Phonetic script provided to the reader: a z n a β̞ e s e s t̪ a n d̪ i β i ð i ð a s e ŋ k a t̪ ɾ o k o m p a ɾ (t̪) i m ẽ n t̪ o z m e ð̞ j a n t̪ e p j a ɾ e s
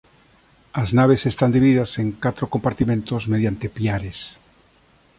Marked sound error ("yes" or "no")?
no